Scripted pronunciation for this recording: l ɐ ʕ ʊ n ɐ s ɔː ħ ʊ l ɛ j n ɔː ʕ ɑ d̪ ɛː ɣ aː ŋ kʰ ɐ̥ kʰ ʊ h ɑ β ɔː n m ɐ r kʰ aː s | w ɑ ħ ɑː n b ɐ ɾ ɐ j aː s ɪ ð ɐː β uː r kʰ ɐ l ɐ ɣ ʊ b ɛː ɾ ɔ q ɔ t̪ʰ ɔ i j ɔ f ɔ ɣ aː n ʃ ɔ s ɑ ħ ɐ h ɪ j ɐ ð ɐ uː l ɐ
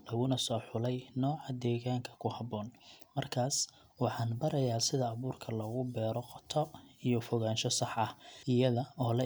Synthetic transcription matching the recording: l ɐ ɣ ʊ n ɐ s ɔː ħ ʊ l ɛ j n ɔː ʕ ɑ d̪ ɛː ɣ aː ŋ kʰ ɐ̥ kʰ ʊ h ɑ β ɔː n m ɐ r kʰ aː s | w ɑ ħ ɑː n b ɐ ɾ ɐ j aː s ɪ ð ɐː β uː r kʰ ɐ l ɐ ɣ ʊ b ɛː ɾ ɔ q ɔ t̪ʰ ɔ i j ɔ f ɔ ɣ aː n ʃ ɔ s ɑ ħ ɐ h ɪ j ɐ ð ɐ ɔː l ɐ